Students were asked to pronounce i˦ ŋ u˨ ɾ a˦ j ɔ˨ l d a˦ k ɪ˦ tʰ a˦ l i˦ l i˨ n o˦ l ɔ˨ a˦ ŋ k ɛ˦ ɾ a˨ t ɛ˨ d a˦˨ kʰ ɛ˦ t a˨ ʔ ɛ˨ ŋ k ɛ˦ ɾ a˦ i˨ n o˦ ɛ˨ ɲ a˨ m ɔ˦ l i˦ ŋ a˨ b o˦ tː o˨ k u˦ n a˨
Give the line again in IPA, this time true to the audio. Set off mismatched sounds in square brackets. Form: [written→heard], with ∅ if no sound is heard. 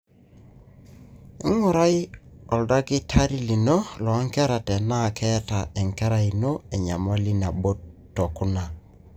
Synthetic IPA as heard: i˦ ŋ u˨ ɾ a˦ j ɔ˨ l d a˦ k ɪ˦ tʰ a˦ [l→ɾ] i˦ l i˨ n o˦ l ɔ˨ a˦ ŋ k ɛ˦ ɾ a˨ t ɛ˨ [d→n] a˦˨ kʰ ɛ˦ t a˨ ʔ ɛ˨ ŋ k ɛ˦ ɾ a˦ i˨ n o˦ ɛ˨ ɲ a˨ m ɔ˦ l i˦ [ŋ→n] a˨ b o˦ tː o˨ k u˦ n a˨

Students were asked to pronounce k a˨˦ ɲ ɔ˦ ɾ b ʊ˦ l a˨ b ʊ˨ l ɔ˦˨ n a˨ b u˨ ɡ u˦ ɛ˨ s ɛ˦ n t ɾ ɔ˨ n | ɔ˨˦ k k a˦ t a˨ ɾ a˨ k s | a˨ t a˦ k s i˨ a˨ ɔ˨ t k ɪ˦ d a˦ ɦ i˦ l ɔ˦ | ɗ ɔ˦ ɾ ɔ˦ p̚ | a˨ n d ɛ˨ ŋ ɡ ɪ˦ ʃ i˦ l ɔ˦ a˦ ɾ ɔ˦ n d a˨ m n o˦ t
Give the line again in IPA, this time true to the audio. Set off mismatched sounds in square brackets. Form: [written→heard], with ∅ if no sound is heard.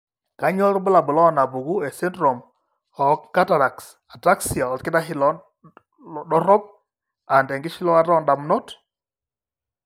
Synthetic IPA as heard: k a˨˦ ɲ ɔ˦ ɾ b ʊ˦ l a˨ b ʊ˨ l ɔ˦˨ n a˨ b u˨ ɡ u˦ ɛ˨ s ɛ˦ n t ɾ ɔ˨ [n→m] | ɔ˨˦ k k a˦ t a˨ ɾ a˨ k s | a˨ t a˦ k s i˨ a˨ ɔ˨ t k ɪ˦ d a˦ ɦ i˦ l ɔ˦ | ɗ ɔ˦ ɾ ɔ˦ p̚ | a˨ n d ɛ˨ ŋ ɡ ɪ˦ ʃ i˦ l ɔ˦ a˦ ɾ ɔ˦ n d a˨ m n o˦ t

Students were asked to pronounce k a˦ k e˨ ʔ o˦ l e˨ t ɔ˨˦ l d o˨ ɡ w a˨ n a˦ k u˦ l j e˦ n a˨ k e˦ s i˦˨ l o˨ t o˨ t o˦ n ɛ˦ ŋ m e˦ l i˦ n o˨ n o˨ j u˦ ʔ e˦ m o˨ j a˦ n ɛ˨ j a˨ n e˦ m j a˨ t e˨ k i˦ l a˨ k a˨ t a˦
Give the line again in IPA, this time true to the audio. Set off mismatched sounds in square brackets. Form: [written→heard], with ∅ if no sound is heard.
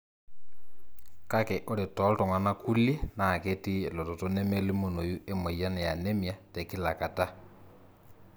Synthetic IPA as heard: k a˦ k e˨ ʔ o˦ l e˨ t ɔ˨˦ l [d→t] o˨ [ɡ→ŋ] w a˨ n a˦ k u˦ l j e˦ n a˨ k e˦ [s→t] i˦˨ l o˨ t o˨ t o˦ n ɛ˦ [ŋ→∅] m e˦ l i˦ [n→m] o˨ n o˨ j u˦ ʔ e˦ m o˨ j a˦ n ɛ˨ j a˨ n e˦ m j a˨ t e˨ k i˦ l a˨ k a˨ t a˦

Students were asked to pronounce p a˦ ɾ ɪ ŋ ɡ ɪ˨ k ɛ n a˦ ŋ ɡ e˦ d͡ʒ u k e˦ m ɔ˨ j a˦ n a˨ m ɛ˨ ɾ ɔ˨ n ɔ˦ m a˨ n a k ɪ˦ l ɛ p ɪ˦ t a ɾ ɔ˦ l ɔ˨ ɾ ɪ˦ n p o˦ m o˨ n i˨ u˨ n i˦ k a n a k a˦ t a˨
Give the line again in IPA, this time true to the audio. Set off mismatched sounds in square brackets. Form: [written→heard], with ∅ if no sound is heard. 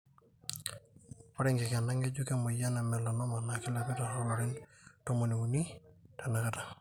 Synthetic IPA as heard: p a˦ ɾ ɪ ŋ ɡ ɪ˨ k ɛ n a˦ ŋ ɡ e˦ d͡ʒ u k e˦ m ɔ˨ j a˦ n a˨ m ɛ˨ [ɾ→l] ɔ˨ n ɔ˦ m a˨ n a k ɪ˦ l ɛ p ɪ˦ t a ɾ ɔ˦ l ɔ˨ ɾ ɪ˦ n [p→t] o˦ m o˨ n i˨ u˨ n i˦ [k→t] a n a k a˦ t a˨

